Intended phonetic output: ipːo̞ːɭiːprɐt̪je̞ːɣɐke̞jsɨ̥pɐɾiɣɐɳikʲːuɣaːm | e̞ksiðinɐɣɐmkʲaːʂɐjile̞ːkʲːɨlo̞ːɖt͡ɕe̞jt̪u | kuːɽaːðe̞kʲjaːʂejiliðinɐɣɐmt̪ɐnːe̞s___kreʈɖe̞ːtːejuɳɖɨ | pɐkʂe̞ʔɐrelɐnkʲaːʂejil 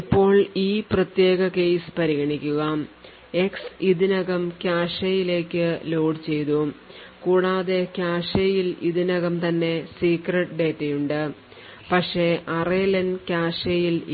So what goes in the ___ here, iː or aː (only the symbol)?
iː